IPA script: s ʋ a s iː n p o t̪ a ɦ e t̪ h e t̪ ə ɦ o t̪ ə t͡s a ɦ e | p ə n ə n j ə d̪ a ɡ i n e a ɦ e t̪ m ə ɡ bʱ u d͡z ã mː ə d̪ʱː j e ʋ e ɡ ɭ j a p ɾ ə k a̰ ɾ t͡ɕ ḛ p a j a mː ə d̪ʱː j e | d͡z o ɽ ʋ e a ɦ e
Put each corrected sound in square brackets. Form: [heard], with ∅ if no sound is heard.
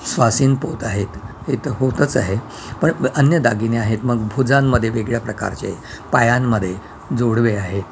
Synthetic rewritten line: s ʋ a s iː n p o t̪ a ɦ e t̪ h e t̪ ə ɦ o t̪ ə t͡s a ɦ e | p ə [ɳ] ə n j ə d̪ a ɡ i n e a ɦ e t̪ m ə ɡ bʱ u d͡z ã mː ə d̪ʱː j e ʋ e ɡ ɭ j a p ɾ ə k a̰ ɾ t͡ɕ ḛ p a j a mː ə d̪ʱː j e | d͡z o ɽ ʋ e a ɦ e

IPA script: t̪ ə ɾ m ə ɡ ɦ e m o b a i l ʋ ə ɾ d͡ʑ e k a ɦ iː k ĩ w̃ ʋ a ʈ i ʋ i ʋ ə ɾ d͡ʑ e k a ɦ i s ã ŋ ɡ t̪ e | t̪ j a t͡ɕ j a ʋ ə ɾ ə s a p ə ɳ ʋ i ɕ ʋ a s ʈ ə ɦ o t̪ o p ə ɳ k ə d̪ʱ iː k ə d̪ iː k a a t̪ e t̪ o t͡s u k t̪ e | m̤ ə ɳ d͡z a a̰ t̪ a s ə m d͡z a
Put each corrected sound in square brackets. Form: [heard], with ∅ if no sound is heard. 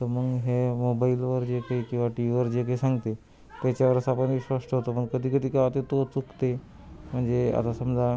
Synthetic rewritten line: t̪ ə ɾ m ə ɡ ɦ e m o b a i l ʋ ə ɾ d͡ʑ e k a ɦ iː k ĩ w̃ ʋ a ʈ i ʋ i ʋ ə ɾ d͡ʑ e k a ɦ i s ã ŋ ɡ t̪ e | t̪ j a t͡ɕ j a ʋ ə ɾ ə s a p ə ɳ ʋ i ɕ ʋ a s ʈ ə ɦ o t̪ o p ə ɳ k ə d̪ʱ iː k ə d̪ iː k a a t̪ e t̪ o t͡s u k t̪ e | m̤ ə ɳ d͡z [e] a̰ t̪ a s ə m d͡z a

